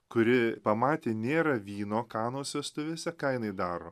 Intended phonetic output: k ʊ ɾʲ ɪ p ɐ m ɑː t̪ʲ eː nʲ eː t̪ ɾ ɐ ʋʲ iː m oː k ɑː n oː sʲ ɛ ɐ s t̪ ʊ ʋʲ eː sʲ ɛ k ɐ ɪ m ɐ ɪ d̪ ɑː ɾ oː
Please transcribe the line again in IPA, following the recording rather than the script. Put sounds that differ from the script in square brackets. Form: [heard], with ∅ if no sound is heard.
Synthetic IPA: k ʊ ɾʲ ɪ p ɐ m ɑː t̪ʲ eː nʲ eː [∅] ɾ ɐ ʋʲ iː [n] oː k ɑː n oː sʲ ɛ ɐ s t̪ ʊ ʋʲ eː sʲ ɛ k ɐ ɪ [n] ɐ ɪ d̪ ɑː ɾ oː